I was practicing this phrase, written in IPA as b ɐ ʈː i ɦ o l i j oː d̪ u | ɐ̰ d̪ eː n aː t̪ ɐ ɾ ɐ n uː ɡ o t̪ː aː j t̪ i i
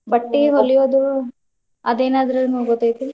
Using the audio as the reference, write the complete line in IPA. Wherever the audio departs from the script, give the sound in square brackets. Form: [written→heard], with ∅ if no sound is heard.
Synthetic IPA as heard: b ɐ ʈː i ɦ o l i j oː d̪ u | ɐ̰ d̪ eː n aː [t̪→d̪] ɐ ɾ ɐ n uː ɡ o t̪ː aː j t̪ i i

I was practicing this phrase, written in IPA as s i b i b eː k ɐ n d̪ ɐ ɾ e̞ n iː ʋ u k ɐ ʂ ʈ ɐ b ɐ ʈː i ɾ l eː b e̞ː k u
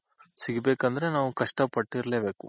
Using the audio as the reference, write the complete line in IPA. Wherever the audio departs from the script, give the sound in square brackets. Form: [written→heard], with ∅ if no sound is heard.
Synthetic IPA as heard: s i [b→ɡ] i b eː k ɐ n d̪ ɐ ɾ e̞ n [iː→aː] ʋ u k ɐ ʂ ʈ ɐ [b→p] ɐ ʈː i ɾ l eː b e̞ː k u

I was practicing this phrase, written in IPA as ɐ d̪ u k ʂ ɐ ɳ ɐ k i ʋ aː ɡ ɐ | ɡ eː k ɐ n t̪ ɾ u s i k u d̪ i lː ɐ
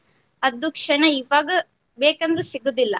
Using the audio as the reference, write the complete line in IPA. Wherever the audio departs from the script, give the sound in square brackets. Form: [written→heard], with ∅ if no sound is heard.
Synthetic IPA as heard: ɐ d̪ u k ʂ ɐ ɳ ɐ [k→∅] i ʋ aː ɡ ɐ | [ɡ→b] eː k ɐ n [t̪→d̪] ɾ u s i [k→ɡ] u d̪ i lː ɐ

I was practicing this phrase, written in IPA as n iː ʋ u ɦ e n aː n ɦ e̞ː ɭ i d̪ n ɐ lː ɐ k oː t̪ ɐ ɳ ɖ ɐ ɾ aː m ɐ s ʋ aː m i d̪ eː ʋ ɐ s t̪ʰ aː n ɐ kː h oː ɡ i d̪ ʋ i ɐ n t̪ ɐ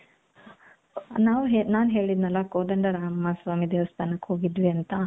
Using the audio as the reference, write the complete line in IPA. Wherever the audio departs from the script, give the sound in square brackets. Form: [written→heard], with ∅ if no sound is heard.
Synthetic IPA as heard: n [iː→aː] ʋ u ɦ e n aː n ɦ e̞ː ɭ i d̪ n ɐ lː ɐ k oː [t̪→d̪] ɐ ɳ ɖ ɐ ɾ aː m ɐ s ʋ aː m i d̪ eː ʋ ɐ s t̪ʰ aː n ɐ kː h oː ɡ i d̪ ʋ i ɐ n t̪ ɐ

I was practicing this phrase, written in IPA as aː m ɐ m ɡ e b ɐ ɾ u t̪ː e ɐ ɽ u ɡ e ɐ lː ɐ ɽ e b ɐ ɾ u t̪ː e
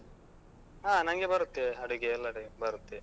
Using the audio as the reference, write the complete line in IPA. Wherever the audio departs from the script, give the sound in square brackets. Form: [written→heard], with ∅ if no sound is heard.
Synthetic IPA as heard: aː [m→n] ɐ [m→ŋ] ɡ e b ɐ ɾ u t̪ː e ɐ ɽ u ɡ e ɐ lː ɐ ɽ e b ɐ ɾ u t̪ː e

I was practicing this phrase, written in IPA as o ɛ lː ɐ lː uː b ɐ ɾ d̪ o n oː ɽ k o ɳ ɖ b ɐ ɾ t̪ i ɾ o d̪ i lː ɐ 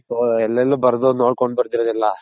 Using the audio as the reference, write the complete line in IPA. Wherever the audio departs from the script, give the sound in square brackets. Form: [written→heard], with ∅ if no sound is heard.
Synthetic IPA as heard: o ɛ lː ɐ lː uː b ɐ ɾ d̪ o n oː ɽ k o ɳ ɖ b ɐ ɾ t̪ i ɾ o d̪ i lː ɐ

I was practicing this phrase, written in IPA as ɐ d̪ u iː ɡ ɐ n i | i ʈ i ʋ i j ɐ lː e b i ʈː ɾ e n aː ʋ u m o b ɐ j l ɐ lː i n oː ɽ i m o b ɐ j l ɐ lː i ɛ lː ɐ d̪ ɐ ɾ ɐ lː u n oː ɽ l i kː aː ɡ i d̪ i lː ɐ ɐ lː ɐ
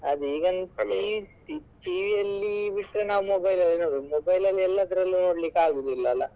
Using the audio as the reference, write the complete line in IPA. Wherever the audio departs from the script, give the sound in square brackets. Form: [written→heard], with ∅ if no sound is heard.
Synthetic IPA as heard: ɐ d̪ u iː ɡ ɐ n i | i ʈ i ʋ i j ɐ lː [e→i] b i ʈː ɾ e n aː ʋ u m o b ɐ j l ɐ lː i n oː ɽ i m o b ɐ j l ɐ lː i ɛ lː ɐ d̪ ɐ ɾ ɐ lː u n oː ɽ l i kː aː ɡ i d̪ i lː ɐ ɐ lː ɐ

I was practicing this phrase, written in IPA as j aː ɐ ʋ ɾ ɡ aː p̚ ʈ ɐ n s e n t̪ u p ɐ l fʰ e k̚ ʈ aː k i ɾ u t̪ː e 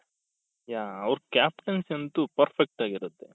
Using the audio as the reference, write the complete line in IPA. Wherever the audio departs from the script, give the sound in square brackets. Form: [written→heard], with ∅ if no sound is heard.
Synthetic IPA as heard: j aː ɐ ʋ ɾ [ɡ→k] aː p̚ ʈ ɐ n s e n t̪ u p ɐ [l→ɾ] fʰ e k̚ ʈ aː [k→ɡ] i ɾ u t̪ː e

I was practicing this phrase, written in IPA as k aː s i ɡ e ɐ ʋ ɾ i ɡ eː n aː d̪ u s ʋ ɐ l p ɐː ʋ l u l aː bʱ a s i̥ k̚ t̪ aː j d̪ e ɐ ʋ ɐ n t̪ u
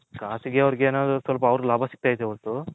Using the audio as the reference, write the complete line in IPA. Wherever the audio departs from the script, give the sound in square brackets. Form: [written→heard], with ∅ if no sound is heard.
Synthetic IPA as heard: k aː s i ɡ e ɐ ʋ ɾ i ɡ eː n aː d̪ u s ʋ ɐ l p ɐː ʋ [l→ɾ] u l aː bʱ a s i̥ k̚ t̪ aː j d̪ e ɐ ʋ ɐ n t̪ u

